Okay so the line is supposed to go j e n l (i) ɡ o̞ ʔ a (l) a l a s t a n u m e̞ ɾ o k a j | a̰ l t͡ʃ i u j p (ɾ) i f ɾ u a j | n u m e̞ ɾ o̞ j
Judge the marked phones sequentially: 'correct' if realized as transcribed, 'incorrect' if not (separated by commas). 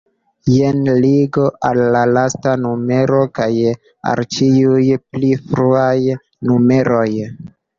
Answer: correct, incorrect, incorrect